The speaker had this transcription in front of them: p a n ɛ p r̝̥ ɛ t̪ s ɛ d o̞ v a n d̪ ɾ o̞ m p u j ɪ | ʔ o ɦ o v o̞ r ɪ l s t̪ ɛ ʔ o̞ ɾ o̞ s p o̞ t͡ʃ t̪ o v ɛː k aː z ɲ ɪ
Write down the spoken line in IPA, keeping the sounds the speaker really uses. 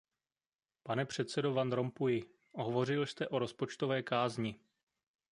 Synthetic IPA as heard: p a n ɛ p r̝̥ ɛ t̪ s ɛ d o̞ v a n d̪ ɾ o̞ m p u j ɪ | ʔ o ɦ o v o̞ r ɪ l s t̪ ɛ ʔ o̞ ɾ o̞ s p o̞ t͡ʃ t̪ o v ɛː k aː z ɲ ɪ

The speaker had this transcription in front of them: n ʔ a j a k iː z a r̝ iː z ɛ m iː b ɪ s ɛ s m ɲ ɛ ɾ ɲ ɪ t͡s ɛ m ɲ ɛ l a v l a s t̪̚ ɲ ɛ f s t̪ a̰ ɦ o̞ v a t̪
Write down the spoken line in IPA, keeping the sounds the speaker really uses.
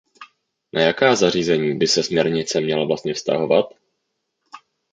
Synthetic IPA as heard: n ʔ a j a k aː z a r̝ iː z ɛ ɲ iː b ɪ s ɛ s m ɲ ɛ ɾ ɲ ɪ t͡s ɛ m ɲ ɛ l a v l a s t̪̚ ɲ ɛ f s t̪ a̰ ɦ o̞ v a t̪

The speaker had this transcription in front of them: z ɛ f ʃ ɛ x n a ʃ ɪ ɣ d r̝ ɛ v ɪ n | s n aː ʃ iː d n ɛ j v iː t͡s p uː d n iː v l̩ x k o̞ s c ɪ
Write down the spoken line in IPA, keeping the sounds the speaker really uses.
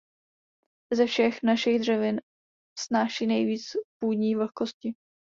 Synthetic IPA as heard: z ɛ f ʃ ɛ x n a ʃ ɪ ɣ d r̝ ɛ v ɪ n | s n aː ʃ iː n ɛ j v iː t͡s p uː d ɲ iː v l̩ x k o̞ s c ɪ

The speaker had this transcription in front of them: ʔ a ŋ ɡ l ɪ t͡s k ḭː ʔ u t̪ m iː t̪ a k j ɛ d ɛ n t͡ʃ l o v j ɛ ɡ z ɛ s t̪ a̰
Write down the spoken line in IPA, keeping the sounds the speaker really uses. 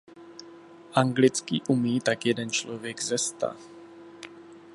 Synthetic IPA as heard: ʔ a ŋ ɡ l ɪ t͡s k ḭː ʔ u m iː t̪ a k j ɛ d ɛ n t͡ʃ l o v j ɛ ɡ z ɛ s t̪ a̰

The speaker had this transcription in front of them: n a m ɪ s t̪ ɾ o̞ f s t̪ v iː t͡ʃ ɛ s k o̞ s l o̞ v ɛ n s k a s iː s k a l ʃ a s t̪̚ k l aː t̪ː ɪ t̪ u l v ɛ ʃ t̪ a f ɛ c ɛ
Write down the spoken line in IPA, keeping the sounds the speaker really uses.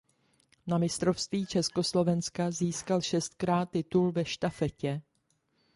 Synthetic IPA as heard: n a m ɪ s t̪ ɾ o̞ f s t̪ v iː t͡ʃ ɛ s k o̞ s l o̞ v ɛ n s k a z iː s k a l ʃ ɛ s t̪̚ k ɾ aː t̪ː ɪ t̪ u l v ɛ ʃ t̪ a f ɛ c ɛ

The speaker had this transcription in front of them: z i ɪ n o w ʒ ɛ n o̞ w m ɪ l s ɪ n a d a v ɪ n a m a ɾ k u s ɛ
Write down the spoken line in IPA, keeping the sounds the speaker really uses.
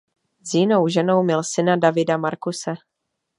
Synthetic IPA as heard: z j ɪ n o w ʒ ɛ n o̞ w m ɪ l s ɪ n a d a v ɪ d a m a ɾ k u s ɛ

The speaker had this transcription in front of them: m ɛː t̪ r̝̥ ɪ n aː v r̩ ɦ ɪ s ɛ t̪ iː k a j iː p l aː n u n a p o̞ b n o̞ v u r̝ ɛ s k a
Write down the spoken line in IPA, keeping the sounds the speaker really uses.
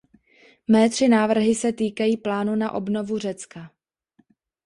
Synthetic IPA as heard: m ɛː t̪ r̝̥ ɪ n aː v r̩ ɦ ɪ s ɛ t̪ iː k a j iː p l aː n u n a ʔ o̞ b n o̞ v u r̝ ɛ t͡s k a

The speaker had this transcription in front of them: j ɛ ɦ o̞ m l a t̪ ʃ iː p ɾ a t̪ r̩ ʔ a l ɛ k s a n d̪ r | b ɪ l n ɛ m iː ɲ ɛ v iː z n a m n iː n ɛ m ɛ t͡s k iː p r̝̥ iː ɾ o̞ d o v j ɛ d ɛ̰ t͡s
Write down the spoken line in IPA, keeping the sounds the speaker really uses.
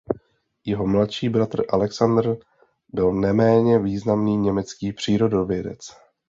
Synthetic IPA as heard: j ɛ ɦ o̞ m l a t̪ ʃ iː b ɾ a t̪ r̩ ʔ a l ɛ k s a n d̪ r | b ɪ l n ɛ m ɛː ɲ ɛ v iː z n a m n iː ɲ ɛ m ɛ t͡s k iː p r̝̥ iː ɾ o̞ d o v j ɛ d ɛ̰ t͡s

